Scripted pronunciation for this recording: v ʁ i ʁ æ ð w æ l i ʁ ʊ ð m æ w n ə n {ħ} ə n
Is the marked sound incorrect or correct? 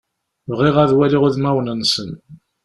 incorrect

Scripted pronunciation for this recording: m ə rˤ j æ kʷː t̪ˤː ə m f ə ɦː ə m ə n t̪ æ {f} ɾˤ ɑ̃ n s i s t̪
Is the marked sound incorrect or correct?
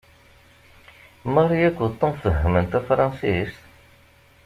correct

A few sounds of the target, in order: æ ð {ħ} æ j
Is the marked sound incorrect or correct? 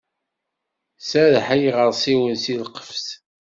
correct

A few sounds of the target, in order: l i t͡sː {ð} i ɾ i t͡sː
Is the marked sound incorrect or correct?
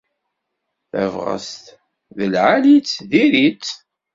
correct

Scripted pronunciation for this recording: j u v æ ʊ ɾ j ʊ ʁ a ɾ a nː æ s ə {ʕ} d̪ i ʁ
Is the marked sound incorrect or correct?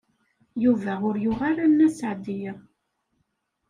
correct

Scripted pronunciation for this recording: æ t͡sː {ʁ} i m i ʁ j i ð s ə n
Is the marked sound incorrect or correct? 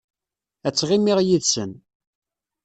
correct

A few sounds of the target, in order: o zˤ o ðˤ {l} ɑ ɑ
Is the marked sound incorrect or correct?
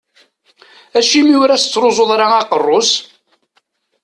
incorrect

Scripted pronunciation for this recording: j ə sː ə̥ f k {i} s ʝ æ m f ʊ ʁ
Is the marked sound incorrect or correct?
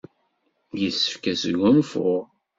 incorrect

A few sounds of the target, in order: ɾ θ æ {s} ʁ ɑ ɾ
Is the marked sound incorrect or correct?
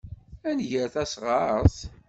correct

